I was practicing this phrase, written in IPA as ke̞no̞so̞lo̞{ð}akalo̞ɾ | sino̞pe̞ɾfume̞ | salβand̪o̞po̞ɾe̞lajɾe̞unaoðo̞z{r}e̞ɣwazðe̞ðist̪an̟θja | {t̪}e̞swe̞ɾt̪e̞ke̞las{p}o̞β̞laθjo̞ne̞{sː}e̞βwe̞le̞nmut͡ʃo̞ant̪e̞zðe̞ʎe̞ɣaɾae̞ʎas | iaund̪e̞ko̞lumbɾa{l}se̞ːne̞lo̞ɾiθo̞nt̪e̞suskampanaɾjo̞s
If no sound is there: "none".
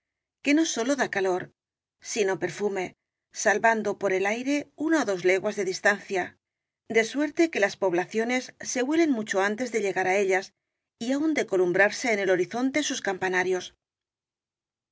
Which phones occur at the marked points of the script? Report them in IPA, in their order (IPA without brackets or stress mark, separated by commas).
ð, l, d̪, p, sː, ɾ